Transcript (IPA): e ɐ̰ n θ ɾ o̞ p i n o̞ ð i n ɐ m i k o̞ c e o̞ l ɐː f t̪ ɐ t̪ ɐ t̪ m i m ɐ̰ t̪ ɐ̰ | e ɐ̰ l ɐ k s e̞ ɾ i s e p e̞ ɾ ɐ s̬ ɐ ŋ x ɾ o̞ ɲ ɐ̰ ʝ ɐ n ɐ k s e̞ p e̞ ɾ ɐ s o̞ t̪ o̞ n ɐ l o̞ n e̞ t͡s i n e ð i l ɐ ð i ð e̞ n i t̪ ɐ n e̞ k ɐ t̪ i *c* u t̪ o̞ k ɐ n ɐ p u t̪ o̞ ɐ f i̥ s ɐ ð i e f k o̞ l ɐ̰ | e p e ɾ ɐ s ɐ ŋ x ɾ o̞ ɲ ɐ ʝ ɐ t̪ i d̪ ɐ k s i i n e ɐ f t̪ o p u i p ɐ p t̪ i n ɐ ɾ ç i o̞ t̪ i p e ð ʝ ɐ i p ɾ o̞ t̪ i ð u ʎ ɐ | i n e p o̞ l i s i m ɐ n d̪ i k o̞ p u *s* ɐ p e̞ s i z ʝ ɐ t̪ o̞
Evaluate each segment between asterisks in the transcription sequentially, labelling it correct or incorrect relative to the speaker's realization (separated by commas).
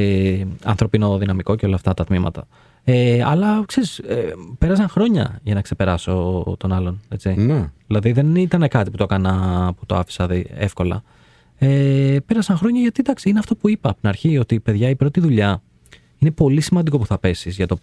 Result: incorrect, incorrect